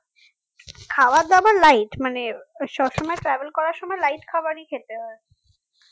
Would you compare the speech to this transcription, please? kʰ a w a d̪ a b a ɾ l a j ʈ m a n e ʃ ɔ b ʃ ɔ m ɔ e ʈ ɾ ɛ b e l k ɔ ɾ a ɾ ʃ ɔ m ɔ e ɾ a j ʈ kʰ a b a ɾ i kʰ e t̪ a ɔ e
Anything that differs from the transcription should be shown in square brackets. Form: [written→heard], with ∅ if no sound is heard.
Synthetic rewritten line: kʰ a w a d̪ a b a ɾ l a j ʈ m a n e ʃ ɔ b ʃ ɔ m ɔ e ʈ ɾ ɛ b e l k ɔ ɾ a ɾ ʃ ɔ m ɔ e [ɾ→l] a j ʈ kʰ a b a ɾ i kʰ e t̪ [a→e] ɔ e

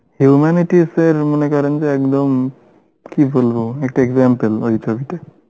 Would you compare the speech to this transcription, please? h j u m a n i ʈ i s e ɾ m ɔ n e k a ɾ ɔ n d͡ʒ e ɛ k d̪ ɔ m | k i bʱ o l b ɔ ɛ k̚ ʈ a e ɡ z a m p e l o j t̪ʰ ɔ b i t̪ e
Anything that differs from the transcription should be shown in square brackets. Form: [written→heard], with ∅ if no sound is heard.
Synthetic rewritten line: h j u m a n i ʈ i s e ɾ m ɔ n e k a ɾ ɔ n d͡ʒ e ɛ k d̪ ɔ m | k i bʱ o l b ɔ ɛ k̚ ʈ a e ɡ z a m p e l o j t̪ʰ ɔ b i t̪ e

